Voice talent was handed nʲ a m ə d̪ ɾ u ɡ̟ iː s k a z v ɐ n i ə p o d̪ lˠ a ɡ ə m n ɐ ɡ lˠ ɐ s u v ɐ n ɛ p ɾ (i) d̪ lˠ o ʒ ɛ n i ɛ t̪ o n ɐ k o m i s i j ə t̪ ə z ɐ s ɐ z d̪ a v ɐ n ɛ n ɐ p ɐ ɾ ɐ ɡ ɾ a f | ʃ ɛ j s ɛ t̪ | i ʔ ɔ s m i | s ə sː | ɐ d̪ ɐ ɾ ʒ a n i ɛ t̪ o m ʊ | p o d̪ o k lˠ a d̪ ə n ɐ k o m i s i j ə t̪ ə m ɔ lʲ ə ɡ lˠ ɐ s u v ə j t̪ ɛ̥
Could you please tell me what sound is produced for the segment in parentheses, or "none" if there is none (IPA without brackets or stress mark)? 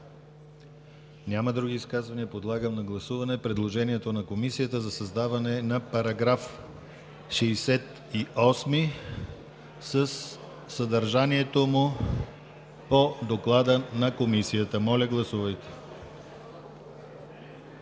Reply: ɛ